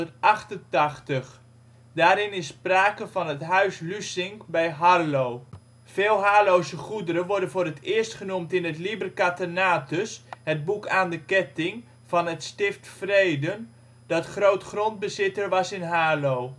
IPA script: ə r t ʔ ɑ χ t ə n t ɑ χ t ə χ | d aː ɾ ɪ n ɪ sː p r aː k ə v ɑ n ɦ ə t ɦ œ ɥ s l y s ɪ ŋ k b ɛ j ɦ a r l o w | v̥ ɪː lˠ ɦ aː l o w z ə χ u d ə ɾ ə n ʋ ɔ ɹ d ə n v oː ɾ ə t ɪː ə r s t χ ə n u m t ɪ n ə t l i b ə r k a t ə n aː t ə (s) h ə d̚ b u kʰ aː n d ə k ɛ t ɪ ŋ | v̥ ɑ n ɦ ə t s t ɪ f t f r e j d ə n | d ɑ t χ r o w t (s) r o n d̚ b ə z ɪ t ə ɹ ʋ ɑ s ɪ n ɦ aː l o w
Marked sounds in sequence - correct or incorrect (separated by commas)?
correct, incorrect